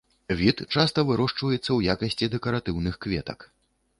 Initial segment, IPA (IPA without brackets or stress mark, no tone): vʲ